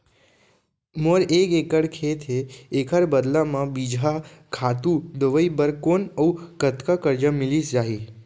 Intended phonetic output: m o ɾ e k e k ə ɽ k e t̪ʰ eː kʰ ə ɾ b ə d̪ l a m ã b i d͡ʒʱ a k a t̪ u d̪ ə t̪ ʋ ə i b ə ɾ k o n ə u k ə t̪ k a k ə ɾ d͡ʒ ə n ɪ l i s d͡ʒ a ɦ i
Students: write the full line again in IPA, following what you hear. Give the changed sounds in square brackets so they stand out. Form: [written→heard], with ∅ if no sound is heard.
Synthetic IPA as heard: m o ɾ e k e k ə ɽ [k→kʰ] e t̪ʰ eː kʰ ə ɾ b ə d̪ l a m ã b i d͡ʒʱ a [k→kʰ] a t̪ u d̪ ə [t̪→∅] ʋ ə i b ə ɾ k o n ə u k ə t̪ k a k ə ɾ d͡ʒ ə [n→m] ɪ l i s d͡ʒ a ɦ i